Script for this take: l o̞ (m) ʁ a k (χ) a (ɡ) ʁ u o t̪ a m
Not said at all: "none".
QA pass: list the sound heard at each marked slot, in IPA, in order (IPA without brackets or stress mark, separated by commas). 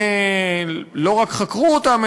none, χ, k